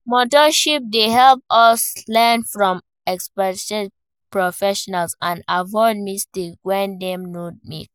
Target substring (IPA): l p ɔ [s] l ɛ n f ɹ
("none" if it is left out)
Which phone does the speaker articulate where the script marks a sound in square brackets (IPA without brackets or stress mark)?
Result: s